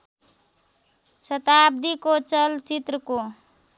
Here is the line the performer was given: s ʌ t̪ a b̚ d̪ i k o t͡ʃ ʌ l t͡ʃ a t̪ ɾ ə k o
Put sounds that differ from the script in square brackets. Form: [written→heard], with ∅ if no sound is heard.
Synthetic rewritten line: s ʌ t̪ a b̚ d̪ i k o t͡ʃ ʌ l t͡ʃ [a→i] t̪ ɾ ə k o